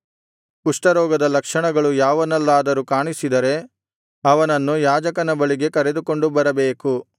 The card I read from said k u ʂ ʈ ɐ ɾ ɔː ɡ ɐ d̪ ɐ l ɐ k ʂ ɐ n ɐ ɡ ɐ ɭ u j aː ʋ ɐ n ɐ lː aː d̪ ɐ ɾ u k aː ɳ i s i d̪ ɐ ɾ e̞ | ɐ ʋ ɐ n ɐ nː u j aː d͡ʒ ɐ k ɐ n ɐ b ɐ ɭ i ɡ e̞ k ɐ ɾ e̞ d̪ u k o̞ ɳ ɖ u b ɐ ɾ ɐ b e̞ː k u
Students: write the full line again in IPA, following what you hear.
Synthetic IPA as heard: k u ʂ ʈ ɐ ɾ ɔː ɡ ɐ d̪ ɐ l ɐ k ʂ ɐ ɳ ɐ ɡ ɐ ɭ u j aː ʋ ɐ n ɐ lː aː d̪ ɐ ɾ u k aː ɳ i s i d̪ ɐ ɾ e̞ | ɐ ʋ ɐ n ɐ nː u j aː d͡ʒ ɐ k ɐ n ɐ b ɐ ɭ i ɡ e̞ k ɐ ɾ e̞ d̪ u k o̞ ɳ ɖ u b ɐ ɾ ɐ b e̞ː k u

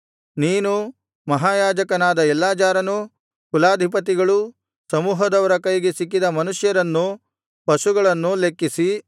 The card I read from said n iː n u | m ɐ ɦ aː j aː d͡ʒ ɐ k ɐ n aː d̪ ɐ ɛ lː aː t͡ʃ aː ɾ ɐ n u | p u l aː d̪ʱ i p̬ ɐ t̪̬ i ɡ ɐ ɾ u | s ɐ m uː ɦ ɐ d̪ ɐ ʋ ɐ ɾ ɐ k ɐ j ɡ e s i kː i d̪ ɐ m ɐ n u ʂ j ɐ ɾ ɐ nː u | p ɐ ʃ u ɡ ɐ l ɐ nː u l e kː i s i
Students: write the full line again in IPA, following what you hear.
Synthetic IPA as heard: n iː n u | m ɐ ɦ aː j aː d͡ʒ ɐ k ɐ n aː d̪ ɐ ɛ lː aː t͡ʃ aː ɾ ɐ n u | k u l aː d̪ʱ i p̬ ɐ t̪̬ i ɡ ɐ ɭ u | s ɐ m uː ɦ ɐ d̪ ɐ ʋ ɐ ɾ ɐ k ɐ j ɡ e s i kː i d̪ ɐ m ɐ n u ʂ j ɐ ɾ ɐ nː u | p ɐ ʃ u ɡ ɐ ɭ ɐ nː u l e kː i s i

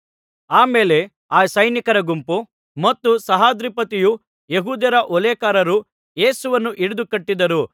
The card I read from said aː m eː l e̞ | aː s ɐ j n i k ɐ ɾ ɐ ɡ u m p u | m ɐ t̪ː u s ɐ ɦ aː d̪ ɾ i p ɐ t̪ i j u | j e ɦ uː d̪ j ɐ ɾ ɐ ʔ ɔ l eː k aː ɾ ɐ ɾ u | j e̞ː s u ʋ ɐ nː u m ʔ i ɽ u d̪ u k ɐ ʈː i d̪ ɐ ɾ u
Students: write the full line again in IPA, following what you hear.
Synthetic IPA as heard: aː m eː l e̞ | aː s ɐ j n i k ɐ ɾ ɐ ɡ u m p u | m ɐ t̪ː u s ɐ ɦ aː d̪ ɾ i p ɐ t̪ i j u | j e ɦ uː d̪ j ɐ ɾ ɐ ʔ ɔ l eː k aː ɾ ɐ ɾ u | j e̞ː s u ʋ ɐ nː u ʔ i ɽ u d̪ u k ɐ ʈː i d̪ ɐ ɾ u

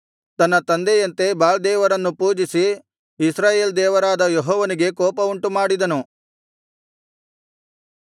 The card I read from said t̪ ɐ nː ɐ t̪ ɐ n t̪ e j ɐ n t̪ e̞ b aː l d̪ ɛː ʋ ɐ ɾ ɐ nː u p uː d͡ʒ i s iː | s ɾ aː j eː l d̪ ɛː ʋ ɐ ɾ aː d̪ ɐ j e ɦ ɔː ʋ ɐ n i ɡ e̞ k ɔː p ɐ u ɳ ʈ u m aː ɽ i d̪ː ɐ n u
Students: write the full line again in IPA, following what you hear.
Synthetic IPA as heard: t̪ ɐ nː ɐ t̪ ɐ n d̪ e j ɐ n t̪ e̞ b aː l d̪ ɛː ʋ ɐ ɾ ɐ nː u p uː d͡ʒ i s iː | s ɾ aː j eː l d̪ ɛː ʋ ɐ ɾ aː d̪ ɐ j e ɦ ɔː ʋ ɐ n i ɡ e̞ k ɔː p ɐ u ɳ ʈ u m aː ɽ i d̪ ɐ n u

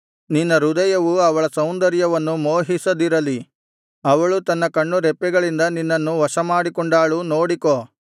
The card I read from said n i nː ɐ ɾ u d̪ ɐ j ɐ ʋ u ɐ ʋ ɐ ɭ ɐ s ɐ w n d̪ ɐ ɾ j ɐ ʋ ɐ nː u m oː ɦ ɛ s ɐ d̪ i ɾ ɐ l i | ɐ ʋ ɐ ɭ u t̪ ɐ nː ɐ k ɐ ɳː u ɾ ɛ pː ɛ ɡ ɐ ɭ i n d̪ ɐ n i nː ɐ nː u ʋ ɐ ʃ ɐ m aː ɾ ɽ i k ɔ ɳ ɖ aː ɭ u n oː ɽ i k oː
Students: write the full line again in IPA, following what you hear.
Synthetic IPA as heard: n i nː ɐ ɾ u d̪ ɐ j ɐ ʋ u ɐ ʋ ɐ ɭ ɐ s ɐ w n d̪ ɐ ɾ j ɐ ʋ ɐ nː u m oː ɦ i s ɐ d̪ i ɾ ɐ l i | ɐ ʋ ɐ ɭ u t̪ ɐ nː ɐ k ɐ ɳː u ɾ ɛ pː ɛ ɡ ɐ ɭ i n d̪ ɐ n i nː ɐ nː u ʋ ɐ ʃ ɐ m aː ɽ i k ɔ ɳ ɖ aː ɭ u n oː ɽ i k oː

